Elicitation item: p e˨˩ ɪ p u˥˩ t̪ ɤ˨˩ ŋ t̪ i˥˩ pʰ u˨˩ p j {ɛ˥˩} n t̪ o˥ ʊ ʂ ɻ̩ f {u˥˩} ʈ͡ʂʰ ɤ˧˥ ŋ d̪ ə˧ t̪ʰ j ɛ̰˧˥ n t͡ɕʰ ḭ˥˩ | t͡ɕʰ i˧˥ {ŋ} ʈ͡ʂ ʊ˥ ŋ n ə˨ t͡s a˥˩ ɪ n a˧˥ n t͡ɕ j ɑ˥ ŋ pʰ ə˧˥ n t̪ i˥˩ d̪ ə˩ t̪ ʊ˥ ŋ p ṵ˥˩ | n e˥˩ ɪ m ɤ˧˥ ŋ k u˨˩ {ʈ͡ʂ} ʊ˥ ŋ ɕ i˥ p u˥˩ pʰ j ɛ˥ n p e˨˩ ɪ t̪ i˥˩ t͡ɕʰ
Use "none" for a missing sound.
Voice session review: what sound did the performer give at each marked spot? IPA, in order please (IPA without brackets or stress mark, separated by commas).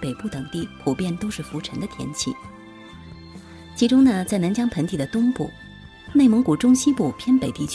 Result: ɛ˥˩, u˧˥, none, ʈ͡ʂ